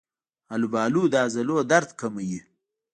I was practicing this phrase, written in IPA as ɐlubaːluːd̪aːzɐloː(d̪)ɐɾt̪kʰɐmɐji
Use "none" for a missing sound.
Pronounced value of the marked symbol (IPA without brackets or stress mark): d̪